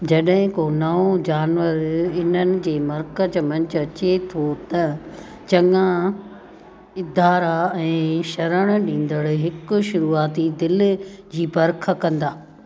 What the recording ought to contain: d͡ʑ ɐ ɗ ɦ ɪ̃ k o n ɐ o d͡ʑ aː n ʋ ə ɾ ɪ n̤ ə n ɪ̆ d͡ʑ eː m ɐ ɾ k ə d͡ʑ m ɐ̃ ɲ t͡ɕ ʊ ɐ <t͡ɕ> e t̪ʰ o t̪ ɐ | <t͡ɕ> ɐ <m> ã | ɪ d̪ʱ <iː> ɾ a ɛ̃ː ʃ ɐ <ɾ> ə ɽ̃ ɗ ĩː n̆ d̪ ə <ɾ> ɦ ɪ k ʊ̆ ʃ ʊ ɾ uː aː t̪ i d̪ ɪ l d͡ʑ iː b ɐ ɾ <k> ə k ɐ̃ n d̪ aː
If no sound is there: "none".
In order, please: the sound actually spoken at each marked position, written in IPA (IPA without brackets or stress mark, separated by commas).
t͡ɕ, t͡ɕ, ŋ, aː, ɾ, ɽ, kʰ